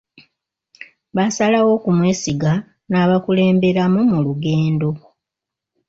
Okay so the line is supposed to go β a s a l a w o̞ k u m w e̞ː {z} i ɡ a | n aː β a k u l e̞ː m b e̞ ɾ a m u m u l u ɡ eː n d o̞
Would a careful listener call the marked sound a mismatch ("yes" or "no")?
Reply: yes